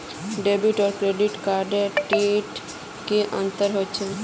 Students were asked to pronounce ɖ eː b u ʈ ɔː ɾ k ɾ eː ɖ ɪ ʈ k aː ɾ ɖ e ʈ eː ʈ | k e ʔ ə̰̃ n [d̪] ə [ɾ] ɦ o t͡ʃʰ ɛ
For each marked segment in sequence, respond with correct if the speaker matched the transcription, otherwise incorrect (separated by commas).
incorrect, correct